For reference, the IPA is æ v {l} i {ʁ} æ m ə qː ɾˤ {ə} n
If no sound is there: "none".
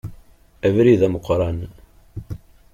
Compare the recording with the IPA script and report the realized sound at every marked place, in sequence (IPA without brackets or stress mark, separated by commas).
ɾ, ð, ɑ